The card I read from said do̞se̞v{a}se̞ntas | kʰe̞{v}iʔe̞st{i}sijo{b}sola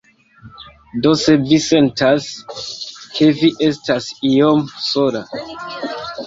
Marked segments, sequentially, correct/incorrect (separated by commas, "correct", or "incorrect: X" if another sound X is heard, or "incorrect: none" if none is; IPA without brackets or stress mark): incorrect: i, correct, incorrect: a, incorrect: m